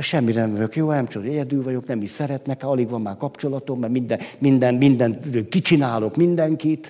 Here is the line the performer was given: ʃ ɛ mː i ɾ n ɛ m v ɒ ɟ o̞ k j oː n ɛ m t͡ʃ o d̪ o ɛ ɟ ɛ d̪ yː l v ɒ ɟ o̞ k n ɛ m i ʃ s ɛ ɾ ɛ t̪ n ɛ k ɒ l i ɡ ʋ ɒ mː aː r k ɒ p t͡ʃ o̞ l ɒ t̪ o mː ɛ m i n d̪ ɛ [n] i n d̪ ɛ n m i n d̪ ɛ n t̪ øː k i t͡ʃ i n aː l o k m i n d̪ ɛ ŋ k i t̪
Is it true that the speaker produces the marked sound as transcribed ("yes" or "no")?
no